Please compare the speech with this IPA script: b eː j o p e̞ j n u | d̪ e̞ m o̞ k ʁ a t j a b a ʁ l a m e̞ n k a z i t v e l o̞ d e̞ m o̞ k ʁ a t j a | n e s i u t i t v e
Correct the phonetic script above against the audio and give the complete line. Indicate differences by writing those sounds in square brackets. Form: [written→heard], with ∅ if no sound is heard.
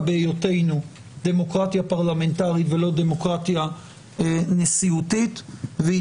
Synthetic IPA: b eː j o [p→t] e̞ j n u | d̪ e̞ m o̞ k ʁ a t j a [b→p] a ʁ l a m e̞ n [k→t] a [z→ʁ] i t v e l o̞ d e̞ m o̞ k ʁ a t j a | n e s i u t i t v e